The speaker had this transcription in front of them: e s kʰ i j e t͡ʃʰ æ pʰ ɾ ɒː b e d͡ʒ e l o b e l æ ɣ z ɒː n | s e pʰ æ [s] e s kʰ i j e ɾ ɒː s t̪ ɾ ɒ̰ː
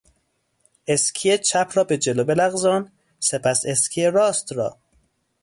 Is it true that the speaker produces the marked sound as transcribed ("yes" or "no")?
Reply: yes